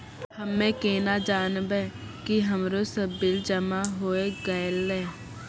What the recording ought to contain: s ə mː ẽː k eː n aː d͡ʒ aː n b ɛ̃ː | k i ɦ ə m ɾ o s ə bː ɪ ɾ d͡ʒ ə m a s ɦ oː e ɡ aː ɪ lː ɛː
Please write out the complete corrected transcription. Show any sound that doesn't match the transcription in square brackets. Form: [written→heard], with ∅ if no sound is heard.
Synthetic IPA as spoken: [s→h] ə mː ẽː k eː n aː d͡ʒ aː n b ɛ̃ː | k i ɦ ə m ɾ o s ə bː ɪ [ɾ→l] d͡ʒ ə m a [s→∅] ɦ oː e ɡ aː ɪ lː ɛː